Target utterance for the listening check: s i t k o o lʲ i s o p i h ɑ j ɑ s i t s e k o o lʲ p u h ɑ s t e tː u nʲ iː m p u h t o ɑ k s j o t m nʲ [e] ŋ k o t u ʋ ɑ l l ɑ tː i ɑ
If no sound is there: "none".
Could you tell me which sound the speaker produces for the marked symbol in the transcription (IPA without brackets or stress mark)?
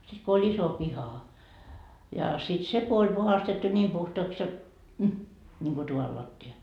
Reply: i